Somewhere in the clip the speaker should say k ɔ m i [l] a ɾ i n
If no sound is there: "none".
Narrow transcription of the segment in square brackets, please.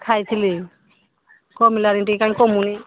l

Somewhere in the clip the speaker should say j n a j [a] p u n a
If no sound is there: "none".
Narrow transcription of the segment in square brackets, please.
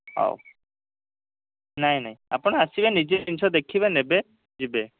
a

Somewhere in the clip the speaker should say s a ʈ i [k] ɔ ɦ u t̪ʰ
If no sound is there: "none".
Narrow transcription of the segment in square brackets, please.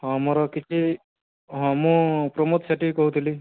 k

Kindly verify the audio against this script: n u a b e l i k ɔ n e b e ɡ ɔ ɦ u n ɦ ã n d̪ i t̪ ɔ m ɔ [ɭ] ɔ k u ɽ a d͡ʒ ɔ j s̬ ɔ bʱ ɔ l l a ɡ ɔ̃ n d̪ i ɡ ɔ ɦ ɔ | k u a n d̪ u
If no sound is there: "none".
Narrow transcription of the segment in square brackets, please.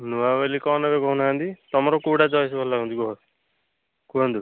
ɾ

